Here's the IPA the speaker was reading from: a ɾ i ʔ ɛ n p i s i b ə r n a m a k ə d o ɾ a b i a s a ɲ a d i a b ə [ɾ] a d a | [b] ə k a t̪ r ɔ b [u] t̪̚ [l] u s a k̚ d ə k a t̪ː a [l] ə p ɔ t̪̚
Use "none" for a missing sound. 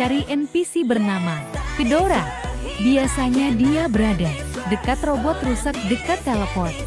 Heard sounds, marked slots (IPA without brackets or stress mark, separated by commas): ɾ, d, ɔ, r, l